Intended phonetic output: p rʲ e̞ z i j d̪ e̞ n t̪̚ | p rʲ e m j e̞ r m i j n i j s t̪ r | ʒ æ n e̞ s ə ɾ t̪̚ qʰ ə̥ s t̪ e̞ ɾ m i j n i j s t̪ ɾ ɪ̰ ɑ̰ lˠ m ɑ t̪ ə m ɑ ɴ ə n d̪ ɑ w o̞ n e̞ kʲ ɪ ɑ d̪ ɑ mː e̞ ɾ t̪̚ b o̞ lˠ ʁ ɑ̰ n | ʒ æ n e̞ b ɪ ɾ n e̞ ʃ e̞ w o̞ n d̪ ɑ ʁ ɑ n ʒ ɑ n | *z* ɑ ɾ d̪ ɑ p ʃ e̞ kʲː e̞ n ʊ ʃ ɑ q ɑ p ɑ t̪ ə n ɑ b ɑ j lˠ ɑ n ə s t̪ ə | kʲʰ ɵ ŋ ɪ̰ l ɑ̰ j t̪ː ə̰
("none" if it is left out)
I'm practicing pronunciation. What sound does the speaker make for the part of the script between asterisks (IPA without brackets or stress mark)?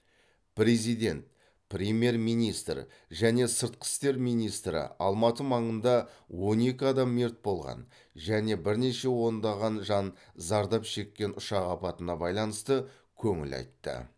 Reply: z